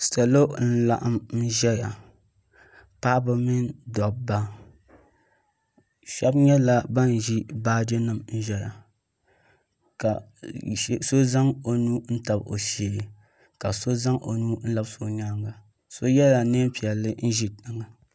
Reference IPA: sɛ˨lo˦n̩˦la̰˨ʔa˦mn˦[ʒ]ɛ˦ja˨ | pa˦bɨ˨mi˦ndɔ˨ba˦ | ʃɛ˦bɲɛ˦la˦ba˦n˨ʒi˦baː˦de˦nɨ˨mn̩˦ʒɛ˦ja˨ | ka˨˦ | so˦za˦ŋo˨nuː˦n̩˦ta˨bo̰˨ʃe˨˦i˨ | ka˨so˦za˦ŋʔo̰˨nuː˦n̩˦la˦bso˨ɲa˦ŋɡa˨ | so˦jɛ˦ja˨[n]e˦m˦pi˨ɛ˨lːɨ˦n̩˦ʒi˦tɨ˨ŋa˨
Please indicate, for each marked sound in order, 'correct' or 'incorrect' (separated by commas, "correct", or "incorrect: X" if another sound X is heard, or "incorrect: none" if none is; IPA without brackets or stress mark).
correct, correct